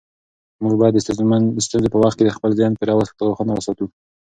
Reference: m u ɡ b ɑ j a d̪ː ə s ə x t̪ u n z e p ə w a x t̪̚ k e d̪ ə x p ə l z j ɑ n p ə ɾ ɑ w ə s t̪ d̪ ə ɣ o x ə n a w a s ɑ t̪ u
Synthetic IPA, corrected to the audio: m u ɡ b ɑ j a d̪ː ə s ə s t̪ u n z e p ə w a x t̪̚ k e d̪ ə x p ə l z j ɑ n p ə ɾ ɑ w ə s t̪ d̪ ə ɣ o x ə n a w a s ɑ t̪ u